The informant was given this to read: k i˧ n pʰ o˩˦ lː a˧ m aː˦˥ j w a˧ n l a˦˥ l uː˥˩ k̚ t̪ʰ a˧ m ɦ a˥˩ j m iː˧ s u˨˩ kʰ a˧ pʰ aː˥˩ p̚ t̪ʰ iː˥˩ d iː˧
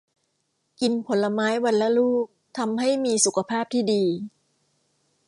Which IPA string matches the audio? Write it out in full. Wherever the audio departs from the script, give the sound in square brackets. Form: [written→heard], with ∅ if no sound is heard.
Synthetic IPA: k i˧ n pʰ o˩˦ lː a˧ m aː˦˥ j w a˧ n l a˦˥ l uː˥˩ k̚ t̪ʰ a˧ m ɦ a˥˩ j m iː˧ s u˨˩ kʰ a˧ pʰ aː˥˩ p̚ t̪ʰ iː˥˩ d iː˧